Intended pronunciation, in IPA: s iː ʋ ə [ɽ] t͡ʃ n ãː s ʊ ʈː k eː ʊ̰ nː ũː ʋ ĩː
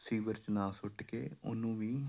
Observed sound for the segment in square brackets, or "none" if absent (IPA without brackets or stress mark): ɾ